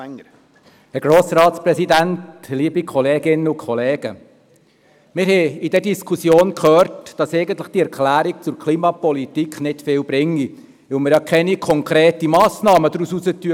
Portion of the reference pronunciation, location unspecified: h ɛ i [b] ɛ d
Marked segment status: incorrect: d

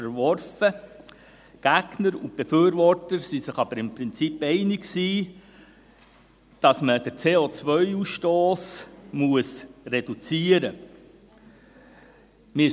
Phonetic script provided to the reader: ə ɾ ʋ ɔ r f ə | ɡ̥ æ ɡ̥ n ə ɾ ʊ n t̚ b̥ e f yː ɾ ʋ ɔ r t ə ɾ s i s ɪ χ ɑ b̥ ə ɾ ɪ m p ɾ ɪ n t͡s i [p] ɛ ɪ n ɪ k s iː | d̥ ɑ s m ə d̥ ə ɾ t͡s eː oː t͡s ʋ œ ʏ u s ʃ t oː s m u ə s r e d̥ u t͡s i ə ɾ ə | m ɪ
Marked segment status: correct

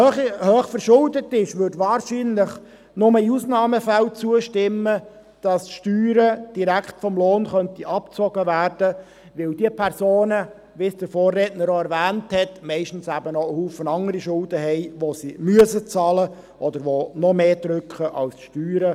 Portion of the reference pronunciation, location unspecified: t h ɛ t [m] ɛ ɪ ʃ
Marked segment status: correct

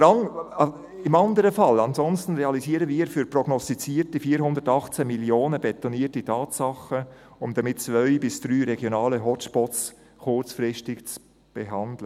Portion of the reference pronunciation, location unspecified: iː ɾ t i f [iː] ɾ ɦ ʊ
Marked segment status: correct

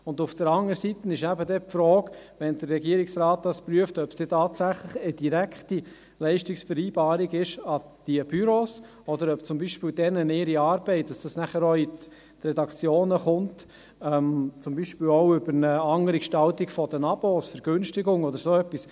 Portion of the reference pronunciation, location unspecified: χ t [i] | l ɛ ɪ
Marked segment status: correct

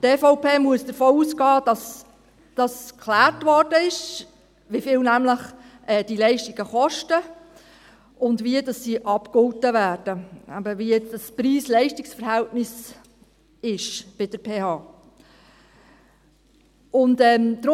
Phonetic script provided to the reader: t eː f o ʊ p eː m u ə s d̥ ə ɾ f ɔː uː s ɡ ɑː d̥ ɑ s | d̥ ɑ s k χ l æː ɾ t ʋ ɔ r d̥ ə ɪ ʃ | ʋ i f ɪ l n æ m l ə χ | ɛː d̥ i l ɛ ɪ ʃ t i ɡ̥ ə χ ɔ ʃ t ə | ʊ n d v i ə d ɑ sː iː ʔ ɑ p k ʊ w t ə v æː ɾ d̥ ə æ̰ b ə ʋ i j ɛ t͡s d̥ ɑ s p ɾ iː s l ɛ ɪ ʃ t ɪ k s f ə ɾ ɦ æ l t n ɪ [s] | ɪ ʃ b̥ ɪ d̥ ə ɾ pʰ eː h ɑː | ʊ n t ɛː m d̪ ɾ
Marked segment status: correct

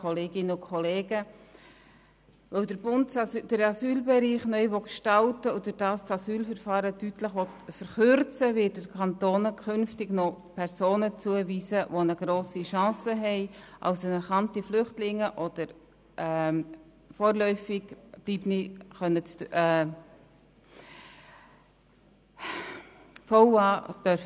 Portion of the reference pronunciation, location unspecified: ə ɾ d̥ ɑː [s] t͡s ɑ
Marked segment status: correct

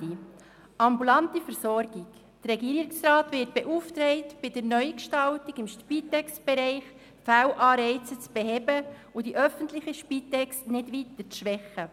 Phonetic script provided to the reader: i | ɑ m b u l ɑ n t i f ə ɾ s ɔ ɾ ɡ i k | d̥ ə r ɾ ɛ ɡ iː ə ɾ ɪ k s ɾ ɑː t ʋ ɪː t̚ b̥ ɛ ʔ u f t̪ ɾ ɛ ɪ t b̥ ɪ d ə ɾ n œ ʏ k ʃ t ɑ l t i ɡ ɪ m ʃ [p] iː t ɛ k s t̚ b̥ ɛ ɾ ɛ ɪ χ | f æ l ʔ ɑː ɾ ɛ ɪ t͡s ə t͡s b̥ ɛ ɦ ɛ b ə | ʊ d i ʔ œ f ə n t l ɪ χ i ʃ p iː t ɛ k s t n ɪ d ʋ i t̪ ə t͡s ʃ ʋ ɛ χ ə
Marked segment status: correct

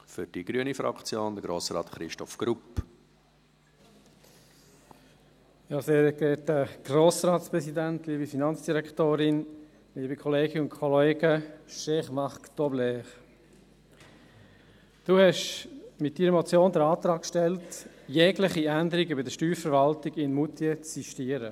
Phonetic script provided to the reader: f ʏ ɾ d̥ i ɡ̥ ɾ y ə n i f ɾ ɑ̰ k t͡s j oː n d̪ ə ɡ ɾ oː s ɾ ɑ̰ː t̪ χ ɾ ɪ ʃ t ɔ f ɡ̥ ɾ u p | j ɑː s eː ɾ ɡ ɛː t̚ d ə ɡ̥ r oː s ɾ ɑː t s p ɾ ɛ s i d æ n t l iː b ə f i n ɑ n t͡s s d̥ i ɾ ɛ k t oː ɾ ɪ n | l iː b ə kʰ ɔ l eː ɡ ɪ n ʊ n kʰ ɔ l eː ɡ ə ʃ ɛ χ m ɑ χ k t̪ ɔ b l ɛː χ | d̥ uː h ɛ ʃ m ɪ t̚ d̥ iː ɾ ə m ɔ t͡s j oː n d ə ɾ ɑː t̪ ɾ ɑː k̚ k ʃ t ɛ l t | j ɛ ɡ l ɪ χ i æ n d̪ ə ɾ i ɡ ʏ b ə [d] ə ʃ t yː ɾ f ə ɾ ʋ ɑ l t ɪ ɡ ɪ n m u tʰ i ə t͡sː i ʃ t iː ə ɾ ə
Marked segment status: correct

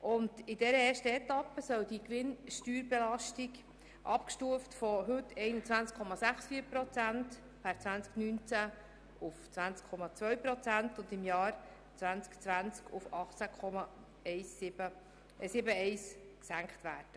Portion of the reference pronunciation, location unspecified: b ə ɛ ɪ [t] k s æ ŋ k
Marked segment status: incorrect: s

